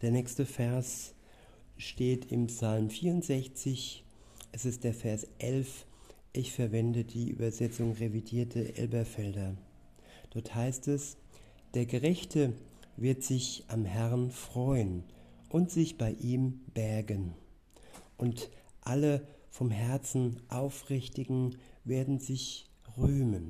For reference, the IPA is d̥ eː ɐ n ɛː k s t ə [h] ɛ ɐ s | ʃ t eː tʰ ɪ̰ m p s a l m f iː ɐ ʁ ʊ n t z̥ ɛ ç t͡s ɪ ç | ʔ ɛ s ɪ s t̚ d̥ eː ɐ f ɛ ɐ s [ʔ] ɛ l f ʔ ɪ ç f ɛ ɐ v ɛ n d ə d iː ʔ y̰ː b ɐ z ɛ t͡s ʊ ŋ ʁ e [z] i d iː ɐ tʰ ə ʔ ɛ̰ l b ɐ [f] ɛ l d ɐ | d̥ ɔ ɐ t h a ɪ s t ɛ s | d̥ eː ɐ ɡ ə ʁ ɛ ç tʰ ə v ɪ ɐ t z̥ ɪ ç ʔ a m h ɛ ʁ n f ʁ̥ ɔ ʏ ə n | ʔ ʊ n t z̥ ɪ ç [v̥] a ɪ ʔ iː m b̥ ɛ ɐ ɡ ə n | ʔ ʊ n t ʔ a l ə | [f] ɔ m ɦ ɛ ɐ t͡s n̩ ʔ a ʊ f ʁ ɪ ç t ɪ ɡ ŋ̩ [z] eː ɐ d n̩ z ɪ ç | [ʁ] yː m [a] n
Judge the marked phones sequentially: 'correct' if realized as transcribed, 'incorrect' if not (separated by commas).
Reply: incorrect, correct, incorrect, correct, incorrect, correct, incorrect, correct, incorrect